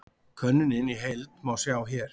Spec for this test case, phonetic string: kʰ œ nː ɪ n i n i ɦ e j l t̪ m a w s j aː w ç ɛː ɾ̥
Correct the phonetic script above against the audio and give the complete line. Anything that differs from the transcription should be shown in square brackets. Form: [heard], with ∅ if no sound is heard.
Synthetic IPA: kʰ œ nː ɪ n [ɪ] n i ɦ e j l t̪ m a w s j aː w ç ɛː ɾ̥